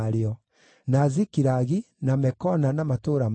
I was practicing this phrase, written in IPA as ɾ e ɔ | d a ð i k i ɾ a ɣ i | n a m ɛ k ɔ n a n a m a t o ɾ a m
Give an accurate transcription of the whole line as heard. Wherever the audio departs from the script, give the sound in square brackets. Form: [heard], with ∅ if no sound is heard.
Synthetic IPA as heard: ɾ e ɔ | [n] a [z] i k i ɾ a ɣ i | n a m ɛ k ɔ n a n a m a t o ɾ a m